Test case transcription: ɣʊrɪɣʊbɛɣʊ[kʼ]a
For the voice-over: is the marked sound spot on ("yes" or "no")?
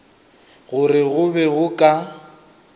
yes